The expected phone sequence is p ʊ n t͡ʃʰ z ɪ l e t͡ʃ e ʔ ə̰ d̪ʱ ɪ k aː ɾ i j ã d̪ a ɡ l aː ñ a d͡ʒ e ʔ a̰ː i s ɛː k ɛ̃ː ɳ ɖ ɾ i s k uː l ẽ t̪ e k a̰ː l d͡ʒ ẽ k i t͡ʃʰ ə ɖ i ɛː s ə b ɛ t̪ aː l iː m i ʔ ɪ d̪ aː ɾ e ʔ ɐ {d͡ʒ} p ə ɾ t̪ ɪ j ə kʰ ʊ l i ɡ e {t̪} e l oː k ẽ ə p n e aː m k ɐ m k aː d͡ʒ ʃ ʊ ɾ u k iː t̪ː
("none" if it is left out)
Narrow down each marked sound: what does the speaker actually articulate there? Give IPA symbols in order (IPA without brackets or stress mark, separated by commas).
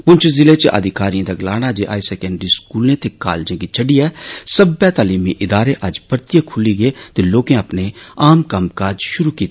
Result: d͡ʒ, t̪